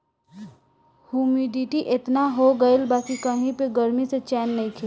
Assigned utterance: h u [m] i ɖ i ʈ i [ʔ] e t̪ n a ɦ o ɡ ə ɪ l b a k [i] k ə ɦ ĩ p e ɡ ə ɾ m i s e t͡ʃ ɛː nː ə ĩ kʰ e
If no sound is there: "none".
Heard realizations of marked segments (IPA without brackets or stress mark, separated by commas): m, ʔ, i